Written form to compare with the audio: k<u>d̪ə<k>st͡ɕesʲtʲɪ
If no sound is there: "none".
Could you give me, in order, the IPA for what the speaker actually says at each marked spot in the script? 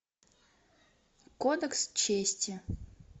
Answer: o, k

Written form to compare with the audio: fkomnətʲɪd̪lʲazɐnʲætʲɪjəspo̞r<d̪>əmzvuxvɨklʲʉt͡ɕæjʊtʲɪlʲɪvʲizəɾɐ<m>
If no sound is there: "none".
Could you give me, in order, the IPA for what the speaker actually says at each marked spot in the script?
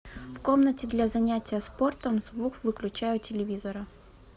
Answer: t̪, none

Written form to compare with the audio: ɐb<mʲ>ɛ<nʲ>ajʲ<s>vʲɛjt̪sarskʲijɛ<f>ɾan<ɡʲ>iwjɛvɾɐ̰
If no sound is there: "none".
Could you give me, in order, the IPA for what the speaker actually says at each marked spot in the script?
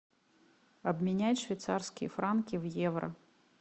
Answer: mʲ, nʲ, ʂ, f, kʲ

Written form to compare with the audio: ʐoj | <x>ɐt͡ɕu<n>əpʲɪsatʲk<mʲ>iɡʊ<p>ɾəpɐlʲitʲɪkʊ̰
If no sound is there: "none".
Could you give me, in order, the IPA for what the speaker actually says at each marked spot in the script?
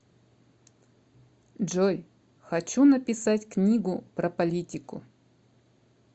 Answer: x, n, nʲ, p

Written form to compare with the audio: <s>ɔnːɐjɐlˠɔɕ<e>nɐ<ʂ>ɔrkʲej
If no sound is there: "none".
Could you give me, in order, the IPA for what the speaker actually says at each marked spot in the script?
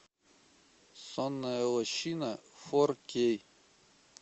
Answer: s, i, f

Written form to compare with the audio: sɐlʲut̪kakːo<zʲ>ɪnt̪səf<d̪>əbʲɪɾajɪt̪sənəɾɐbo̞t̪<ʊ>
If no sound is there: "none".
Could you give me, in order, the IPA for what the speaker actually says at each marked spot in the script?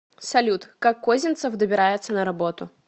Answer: zʲ, d̪, ʊ

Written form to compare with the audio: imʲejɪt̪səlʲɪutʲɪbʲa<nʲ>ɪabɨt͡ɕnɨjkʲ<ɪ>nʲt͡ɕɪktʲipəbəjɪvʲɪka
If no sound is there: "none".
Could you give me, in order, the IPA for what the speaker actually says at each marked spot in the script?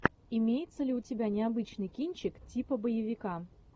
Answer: nʲ, i

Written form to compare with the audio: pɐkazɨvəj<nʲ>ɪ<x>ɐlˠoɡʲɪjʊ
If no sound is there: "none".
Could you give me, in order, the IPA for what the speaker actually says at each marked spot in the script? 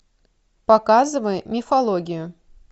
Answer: mʲ, f

